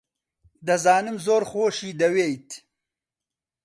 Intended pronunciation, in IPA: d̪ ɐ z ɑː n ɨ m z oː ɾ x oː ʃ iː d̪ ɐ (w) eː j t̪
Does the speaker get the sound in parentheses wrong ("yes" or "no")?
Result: no